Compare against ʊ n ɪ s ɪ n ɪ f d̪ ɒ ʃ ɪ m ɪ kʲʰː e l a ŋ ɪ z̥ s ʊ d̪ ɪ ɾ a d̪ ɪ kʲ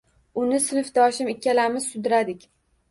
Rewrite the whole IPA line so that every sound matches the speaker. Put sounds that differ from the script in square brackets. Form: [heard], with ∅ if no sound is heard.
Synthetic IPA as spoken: ʊ n ɪ s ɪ n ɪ f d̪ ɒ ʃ ɪ m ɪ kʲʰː [a] l a [m] ɪ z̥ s ʊ d̪ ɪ ɾ a d̪ ɪ kʲ